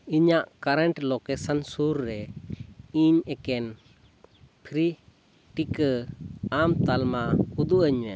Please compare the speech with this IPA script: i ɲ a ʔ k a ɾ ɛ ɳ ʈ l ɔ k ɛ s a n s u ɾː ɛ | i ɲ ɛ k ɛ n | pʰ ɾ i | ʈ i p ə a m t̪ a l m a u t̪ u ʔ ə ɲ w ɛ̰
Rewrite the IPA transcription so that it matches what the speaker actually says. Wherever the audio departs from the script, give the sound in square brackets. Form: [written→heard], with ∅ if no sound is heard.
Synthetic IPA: i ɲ a ʔ k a ɾ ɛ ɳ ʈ l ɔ k ɛ s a n s u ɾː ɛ | i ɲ ɛ k ɛ n | pʰ ɾ i | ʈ i [p→k] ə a m t̪ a l m a u [t̪→d̪] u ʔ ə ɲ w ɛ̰

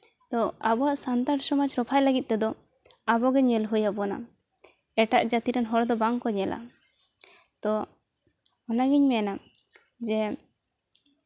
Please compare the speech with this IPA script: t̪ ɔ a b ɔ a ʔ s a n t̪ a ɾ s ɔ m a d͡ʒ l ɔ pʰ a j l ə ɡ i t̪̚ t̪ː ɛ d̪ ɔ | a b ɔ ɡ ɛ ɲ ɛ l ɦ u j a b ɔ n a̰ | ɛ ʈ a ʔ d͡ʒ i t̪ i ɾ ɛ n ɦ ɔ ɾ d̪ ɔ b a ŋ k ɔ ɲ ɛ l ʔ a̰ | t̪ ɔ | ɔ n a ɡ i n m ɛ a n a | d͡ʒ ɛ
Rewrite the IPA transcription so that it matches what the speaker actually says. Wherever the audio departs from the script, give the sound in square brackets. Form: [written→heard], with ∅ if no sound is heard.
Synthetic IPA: t̪ ɔ a b ɔ a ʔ s a n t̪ a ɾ s ɔ m a d͡ʒ [l→ɾ] ɔ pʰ a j l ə ɡ i t̪̚ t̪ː ɛ d̪ ɔ | a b ɔ ɡ ɛ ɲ ɛ l ɦ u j a b ɔ n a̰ | ɛ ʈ a ʔ d͡ʒ [i→a] t̪ i ɾ ɛ n ɦ ɔ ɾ d̪ ɔ b a ŋ k ɔ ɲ ɛ l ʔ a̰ | t̪ ɔ | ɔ n a ɡ i [n→ɲ] m ɛ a n a | d͡ʒ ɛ

